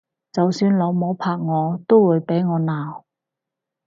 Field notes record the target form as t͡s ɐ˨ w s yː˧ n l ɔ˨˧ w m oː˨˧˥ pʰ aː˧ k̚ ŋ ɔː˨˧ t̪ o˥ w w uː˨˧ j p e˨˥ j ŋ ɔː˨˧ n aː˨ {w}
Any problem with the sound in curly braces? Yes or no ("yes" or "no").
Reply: no